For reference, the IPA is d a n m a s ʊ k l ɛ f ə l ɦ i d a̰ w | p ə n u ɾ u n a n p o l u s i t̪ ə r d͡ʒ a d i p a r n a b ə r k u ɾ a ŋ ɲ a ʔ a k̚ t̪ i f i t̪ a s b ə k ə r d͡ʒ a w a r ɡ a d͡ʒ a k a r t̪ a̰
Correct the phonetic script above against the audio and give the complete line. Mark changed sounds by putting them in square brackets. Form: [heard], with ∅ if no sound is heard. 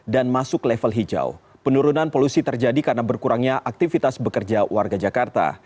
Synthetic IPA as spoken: d a n m a s ʊ k l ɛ f ə l ɦ i [d͡ʒ] a̰ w | p ə n u ɾ u n a n p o l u s i t̪ ə r d͡ʒ a d i [k] a r n a b ə r k u ɾ a ŋ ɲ a ʔ a k̚ t̪ i f i t̪ a s b ə k ə r d͡ʒ a w a r ɡ a d͡ʒ a k a r t̪ a̰

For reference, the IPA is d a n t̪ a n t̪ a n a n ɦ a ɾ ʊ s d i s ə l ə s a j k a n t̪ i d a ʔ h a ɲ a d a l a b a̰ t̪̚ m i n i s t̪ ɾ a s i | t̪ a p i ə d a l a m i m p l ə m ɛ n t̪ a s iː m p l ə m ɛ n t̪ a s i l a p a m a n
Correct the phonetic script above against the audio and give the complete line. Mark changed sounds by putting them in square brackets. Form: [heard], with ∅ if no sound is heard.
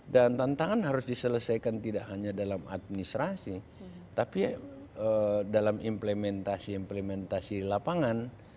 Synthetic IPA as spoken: d a n t̪ a n t̪ a [ŋ] a n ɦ a ɾ ʊ s d i s ə l ə s a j k a n t̪ i d a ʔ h a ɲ a d a l a [m] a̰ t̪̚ m i n i s t̪ ɾ a s i | t̪ a p i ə d a l a m i m p l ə m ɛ n t̪ a s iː m p l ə m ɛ n t̪ a s i l a p a [ŋ] a n

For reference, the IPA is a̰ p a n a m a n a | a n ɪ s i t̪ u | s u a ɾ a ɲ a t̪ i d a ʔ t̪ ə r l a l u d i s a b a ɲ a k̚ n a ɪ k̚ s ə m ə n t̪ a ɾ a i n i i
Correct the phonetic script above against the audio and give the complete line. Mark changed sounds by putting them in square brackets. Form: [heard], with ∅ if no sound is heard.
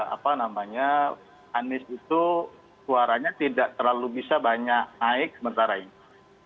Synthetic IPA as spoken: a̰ p a n a m a [ɲ] a | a n ɪ s i t̪ u | s u a ɾ a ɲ a t̪ i d a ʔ t̪ ə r l a l u [b] i s a b a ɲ a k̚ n a ɪ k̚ s ə m ə n t̪ a ɾ a i n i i

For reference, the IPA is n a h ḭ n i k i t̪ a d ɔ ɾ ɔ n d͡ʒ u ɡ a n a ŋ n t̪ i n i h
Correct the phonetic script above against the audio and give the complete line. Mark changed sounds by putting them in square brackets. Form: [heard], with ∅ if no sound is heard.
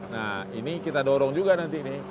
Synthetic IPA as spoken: n a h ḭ n i k i t̪ a d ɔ ɾ ɔ [ŋ] d͡ʒ u ɡ a n a [∅] n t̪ i n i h

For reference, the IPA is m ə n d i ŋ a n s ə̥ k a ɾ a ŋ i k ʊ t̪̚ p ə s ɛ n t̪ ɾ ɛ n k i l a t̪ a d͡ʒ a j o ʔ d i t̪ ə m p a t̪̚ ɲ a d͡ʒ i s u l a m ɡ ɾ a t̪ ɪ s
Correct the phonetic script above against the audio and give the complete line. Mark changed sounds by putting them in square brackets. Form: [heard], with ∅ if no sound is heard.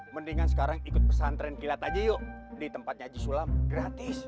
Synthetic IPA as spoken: m ə n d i ŋ a n s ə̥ k a ɾ a ŋ i k ʊ t̪̚ p ə s [a] n t̪ ɾ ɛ n k i l a t̪ a d͡ʒ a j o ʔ d i t̪ ə m p a t̪̚ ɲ a d͡ʒ i s u l a m ɡ ɾ a t̪ ɪ s

